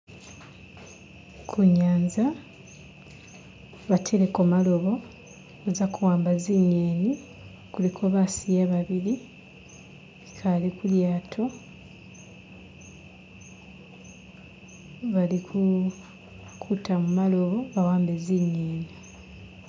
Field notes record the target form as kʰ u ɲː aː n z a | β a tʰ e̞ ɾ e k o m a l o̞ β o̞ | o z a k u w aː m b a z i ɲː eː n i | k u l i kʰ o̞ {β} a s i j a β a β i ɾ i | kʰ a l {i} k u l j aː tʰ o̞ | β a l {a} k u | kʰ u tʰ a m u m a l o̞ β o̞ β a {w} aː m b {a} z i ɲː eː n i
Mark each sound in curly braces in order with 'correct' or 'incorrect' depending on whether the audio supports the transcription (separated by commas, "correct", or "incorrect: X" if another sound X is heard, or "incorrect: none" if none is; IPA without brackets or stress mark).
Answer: correct, correct, incorrect: i, correct, incorrect: e